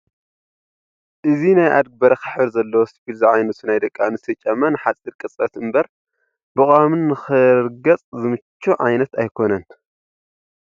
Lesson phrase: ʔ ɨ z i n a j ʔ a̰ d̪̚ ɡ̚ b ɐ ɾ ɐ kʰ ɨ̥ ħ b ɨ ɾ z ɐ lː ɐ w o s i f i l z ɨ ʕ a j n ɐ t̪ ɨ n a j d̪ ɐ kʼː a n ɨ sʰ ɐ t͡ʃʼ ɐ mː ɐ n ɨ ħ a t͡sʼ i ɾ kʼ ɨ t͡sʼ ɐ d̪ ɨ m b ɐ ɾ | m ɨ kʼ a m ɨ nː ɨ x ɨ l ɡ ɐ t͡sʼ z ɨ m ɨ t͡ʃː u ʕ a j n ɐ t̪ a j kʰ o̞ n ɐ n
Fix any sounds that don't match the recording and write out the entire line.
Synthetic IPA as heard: ʔ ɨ z i n a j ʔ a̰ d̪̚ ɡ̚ b ɐ ɾ ɐ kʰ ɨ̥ ħ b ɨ ɾ z ɐ lː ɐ w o s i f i l z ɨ ʕ a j n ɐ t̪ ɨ n a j d̪ ɐ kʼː a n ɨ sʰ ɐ t͡ʃʼ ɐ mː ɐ n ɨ ħ a t͡sʼ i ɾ kʼ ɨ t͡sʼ ɐ t̪ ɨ m b ɐ ɾ | b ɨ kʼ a m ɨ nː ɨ x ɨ ɾ ɡ ɐ t͡sʼ z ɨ m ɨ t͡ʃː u ʕ a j n ɐ t̪ a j kʰ o̞ n ɐ n

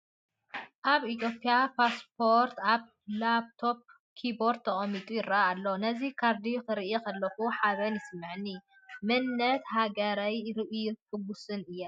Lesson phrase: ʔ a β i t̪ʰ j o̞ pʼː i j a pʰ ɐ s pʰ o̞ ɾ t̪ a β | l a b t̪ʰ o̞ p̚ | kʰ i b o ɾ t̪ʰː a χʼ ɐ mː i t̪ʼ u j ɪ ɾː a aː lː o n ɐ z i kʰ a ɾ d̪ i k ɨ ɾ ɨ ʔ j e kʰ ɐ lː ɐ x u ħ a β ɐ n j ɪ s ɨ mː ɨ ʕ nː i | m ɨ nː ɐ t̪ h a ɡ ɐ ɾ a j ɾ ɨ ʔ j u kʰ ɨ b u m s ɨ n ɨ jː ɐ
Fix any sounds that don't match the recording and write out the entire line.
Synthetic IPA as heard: ʔ a β i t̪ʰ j o̞ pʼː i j a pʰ a s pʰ o̞ ɾ t̪ a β | l a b t̪ʰ o̞ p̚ | kʰ i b o ɾ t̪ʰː ɐ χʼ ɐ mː i t̪ʼ u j ɪ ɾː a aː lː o n ɐ z i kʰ a ɾ d̪ i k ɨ ɾ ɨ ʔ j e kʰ ɐ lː ɐ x u ħ a β ɐ n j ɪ s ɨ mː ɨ ʕ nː i | m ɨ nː ɐ t̪ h a ɡ ɐ ɾ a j ɾ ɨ ʔ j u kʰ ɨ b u s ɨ n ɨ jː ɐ

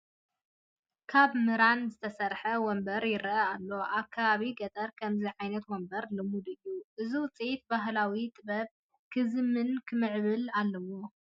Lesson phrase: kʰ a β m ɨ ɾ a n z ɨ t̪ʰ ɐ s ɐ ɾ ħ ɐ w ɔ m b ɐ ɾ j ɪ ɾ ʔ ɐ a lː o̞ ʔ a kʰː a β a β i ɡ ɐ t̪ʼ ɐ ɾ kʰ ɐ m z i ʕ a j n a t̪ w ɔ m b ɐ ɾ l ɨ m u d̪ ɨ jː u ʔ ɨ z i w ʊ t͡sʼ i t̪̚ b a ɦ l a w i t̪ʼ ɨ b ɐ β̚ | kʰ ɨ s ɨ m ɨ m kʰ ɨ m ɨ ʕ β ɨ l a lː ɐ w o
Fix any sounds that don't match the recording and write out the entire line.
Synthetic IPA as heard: kʰ a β m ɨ ɾ a n z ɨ t̪ʰ ɐ s ɐ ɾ ħ ɐ w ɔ m b ɐ ɾ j ɪ ɾ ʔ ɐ a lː o̞ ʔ a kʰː a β a β i ɡ ɐ t̪ʼ ɐ ɾ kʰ ɐ m z i ʕ a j n ɐ t̪ w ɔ m b ɐ ɾ l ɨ m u d̪ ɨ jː u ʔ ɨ z i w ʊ t͡sʼ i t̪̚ b a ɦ l a w i t̪ʼ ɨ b ɐ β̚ | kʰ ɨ z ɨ m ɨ n kʰ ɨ m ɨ ʕ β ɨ l a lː ɐ w o

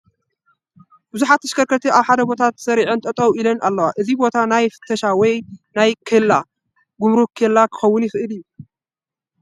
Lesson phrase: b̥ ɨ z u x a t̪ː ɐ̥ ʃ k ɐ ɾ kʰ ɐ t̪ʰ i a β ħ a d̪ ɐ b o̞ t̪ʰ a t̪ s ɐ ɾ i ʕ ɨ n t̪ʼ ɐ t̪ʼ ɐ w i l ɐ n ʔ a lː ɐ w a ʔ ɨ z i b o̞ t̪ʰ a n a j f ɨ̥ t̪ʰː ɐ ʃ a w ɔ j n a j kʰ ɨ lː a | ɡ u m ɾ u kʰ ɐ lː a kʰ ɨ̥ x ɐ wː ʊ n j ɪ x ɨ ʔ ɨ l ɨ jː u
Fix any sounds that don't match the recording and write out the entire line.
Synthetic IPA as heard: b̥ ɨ z u ħ a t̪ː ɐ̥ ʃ k ɐ ɾ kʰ ɐ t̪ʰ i a β ħ a d̪ ɐ b o̞ t̪ʰ a t̪ s ɐ ɾ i ʕ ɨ n t̪ʼ ɐ t̪ʼ ɐ w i l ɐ n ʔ a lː ɐ w a ʔ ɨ z i b o̞ t̪ʰ a n a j f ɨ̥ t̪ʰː ɐ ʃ a w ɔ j n a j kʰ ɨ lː a | ɡ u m ɾ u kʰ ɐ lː a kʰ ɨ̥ x ɐ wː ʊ n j ɪ x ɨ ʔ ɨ l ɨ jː u

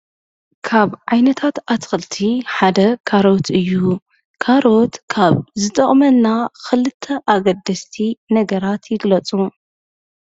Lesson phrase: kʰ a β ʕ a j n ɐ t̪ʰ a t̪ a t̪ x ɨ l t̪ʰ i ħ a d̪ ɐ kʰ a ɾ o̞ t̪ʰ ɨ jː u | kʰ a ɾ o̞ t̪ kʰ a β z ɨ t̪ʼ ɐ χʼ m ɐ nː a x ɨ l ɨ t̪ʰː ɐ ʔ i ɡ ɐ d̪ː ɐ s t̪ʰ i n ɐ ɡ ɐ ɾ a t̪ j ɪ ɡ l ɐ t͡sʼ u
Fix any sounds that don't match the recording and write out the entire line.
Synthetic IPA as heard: kʰ a β ʕ a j n ɐ t̪ʰ a t̪ a t̪ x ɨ l t̪ʰ i ħ a d̪ ɐ kʰ a ɾ o̞ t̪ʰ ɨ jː u | kʰ a ɾ o̞ t̪ kʰ a β z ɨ t̪ʼ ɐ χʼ m ɐ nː a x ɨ l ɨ t̪ʰː ɐ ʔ a ɡ ɐ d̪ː ɐ s t̪ʰ i n ɐ ɡ ɐ ɾ a t̪ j ɪ ɡ l ɐ t͡sʼ u

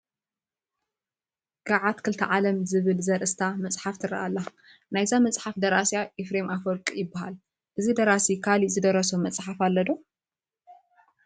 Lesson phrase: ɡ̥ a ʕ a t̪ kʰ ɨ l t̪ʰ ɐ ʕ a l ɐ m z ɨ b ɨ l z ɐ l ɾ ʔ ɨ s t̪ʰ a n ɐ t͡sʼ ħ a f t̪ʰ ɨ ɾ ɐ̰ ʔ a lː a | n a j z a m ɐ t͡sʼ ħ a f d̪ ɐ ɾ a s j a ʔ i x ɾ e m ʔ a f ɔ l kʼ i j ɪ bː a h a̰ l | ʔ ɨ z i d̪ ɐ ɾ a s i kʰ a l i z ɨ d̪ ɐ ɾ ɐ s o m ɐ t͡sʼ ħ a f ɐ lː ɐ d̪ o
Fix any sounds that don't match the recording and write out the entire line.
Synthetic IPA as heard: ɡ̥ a ʕ a t̪ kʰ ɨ l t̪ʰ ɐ ʕ a l ɐ m z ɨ β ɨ l z ɐ ɾ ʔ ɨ s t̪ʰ a m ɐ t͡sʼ ħ a f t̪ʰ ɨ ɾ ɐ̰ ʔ a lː a | n a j z a m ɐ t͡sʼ ħ a f d̪ ɐ ɾ a s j a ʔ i f ɾ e m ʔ a f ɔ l kʼ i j ɪ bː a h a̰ l | ʔ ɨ z i d̪ ɐ ɾ a s i kʰ a l i z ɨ d̪ ɐ ɾ ɐ s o m ɐ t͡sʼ ħ a f a lː ɐ d̪ o

